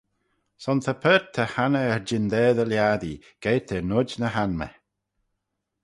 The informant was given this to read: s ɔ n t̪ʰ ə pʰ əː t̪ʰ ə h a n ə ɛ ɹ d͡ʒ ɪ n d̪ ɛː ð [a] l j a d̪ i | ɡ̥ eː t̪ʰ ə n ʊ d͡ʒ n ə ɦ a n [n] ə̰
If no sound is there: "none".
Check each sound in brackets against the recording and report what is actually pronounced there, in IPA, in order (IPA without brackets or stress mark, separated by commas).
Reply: ə, m